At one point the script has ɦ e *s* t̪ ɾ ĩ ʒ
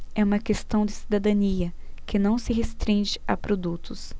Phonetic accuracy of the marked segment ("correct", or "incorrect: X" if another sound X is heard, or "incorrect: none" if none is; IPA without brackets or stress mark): correct